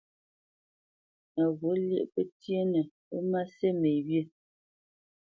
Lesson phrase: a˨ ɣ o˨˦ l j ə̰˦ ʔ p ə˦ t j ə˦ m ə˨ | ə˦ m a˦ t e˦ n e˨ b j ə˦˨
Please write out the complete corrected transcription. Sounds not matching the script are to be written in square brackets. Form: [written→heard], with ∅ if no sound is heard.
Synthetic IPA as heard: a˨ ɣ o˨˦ l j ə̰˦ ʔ p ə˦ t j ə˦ [m→n] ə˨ | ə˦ m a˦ [t→s] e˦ [n→m] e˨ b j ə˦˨